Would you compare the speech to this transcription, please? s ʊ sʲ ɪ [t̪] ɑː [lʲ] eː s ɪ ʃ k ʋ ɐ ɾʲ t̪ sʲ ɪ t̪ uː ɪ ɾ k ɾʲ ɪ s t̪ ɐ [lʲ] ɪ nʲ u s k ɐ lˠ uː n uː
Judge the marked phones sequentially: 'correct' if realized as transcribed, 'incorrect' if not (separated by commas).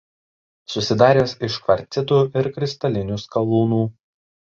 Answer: incorrect, incorrect, correct